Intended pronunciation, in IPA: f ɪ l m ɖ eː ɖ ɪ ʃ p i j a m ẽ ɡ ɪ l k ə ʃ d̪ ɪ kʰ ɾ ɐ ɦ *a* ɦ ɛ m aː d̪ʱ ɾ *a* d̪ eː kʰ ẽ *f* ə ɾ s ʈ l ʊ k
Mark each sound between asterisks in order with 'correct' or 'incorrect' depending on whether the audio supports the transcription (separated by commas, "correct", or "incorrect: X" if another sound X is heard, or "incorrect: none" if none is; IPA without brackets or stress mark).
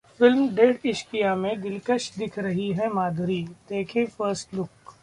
incorrect: i, incorrect: i, correct